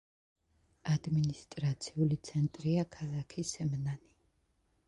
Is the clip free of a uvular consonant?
yes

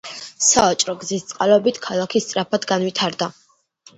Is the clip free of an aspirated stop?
no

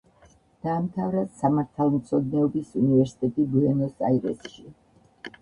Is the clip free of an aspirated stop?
no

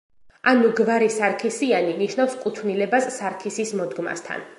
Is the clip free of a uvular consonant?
yes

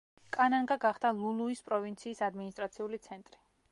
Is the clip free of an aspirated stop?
yes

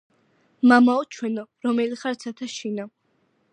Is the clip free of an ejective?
yes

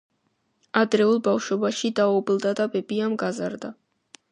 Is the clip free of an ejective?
yes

